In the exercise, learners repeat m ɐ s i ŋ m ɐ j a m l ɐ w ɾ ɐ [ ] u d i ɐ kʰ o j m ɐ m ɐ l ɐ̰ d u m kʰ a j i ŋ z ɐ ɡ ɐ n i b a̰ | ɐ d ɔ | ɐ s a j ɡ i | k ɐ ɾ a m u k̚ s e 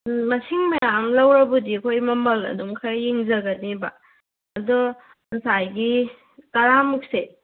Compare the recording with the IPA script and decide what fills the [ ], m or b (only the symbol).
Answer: b